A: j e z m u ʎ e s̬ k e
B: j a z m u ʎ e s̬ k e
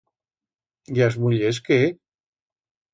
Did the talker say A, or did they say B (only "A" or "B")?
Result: B